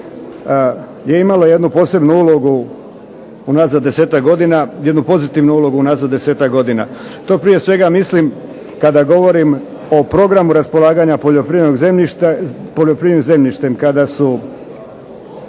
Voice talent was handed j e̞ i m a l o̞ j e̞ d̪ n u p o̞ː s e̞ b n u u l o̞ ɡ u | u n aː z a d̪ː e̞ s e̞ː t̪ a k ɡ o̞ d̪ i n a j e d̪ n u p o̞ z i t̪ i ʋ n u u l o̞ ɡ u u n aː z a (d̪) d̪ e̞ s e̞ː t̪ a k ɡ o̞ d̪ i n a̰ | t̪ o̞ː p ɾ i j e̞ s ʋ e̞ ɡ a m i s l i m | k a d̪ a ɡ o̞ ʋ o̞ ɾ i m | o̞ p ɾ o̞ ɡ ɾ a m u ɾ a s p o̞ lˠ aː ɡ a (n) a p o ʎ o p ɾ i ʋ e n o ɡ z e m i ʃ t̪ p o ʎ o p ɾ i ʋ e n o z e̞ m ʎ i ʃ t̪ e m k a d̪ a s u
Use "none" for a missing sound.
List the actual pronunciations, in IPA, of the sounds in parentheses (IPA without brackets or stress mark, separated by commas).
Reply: d̪, ɲ